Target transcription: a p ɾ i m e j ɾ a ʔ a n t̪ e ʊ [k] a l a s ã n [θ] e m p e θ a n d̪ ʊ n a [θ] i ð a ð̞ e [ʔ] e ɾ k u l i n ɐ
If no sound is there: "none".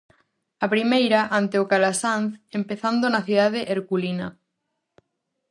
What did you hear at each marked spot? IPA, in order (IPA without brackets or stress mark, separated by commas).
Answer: k, θ, θ, ʔ